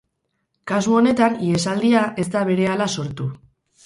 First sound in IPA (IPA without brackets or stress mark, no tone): k